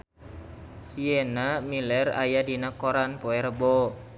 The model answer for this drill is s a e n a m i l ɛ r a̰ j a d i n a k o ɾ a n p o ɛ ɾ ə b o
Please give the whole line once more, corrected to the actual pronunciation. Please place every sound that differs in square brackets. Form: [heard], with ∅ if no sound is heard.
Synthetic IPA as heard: s [i] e n a m i l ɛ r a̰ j a d i n a k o ɾ a n p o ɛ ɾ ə b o